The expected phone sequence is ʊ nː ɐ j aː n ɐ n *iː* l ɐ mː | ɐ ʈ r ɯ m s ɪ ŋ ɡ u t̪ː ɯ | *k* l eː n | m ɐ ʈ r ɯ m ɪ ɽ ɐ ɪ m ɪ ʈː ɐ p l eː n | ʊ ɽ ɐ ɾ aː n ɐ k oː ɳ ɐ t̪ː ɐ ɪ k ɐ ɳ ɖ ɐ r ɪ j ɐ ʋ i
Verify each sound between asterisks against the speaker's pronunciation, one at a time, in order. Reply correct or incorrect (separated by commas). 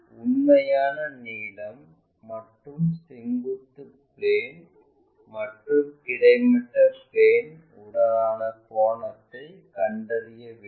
correct, incorrect